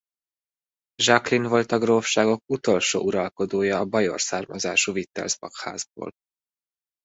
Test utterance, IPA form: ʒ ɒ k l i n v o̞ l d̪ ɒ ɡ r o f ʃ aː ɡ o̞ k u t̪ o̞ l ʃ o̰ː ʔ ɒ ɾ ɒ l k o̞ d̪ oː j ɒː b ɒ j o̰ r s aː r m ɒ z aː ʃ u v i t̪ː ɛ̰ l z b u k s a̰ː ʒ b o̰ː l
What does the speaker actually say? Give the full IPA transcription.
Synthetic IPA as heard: ʒ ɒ k l i n v o̞ l t̪ ɒ ɡ r o f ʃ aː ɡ o̞ k u t̪ o̞ l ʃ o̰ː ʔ u ɾ ɒ l k o̞ d̪ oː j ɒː b ɒ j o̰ r s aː r m ɒ z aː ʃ u v i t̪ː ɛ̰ l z b ɒ k h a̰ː z b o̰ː l